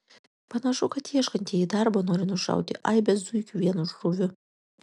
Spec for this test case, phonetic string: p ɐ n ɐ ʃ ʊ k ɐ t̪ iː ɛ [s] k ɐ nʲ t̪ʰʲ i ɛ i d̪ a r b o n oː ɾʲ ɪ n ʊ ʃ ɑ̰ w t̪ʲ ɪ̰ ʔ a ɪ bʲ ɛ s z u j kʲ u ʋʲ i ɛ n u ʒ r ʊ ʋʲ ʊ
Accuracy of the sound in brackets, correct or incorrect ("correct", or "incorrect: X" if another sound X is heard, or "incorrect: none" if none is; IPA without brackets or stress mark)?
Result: incorrect: ʃ